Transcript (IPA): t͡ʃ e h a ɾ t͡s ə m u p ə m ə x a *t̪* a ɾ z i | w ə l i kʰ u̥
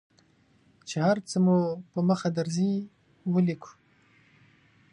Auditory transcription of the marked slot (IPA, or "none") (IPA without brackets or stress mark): d̪